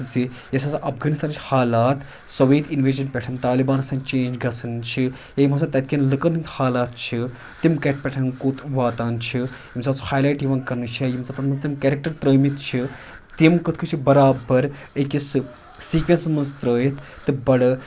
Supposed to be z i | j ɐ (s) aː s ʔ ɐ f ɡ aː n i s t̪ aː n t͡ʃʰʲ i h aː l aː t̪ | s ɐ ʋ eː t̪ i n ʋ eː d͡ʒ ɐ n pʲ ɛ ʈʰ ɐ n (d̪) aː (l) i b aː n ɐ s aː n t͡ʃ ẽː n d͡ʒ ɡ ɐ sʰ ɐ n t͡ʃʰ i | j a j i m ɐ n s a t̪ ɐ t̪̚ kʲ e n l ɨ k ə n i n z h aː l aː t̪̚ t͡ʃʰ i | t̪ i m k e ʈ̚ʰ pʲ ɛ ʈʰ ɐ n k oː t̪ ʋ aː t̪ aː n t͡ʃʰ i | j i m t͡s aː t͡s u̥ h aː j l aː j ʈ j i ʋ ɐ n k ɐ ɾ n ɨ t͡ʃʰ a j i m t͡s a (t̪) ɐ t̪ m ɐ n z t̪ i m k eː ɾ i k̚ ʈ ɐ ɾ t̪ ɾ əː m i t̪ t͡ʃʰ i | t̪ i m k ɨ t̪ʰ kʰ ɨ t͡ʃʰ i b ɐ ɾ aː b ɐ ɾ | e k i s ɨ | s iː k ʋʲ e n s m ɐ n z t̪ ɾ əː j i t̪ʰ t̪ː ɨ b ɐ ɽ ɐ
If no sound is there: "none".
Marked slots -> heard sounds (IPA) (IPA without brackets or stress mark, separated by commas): s, t̪, l, t̪